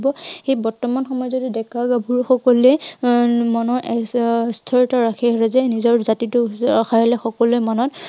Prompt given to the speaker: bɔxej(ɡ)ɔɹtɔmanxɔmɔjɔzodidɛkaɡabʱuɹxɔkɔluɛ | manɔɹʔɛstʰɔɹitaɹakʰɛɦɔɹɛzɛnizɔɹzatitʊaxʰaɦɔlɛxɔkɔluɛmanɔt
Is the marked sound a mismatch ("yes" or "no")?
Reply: yes